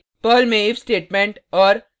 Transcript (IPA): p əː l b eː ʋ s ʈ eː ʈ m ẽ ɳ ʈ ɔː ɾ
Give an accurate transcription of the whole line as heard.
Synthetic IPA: p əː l m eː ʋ s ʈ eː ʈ m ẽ ɳ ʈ ɔː ɾ